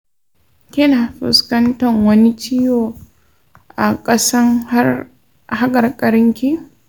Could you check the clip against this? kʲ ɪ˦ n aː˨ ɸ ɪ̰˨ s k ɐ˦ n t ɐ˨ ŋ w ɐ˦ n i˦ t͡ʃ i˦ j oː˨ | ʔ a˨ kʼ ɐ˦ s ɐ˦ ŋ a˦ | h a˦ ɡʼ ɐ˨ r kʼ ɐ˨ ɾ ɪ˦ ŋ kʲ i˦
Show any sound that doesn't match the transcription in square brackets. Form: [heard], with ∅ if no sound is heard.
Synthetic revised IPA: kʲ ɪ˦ n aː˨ ɸ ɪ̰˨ s k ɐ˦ n t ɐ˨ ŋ w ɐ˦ n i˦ t͡ʃ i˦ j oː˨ | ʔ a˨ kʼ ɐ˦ s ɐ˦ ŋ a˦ | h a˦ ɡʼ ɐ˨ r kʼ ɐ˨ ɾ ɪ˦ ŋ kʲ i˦